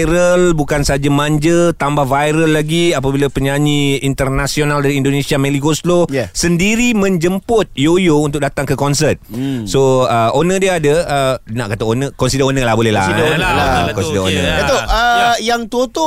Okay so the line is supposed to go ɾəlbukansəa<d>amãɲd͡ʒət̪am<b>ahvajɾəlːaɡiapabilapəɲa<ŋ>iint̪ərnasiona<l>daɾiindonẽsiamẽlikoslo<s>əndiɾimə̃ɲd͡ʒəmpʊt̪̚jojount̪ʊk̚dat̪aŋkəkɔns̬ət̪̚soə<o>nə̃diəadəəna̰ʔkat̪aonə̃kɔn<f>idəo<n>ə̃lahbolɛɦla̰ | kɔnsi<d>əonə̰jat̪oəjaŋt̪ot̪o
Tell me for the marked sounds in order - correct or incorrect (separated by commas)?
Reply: incorrect, correct, incorrect, correct, correct, correct, incorrect, correct, correct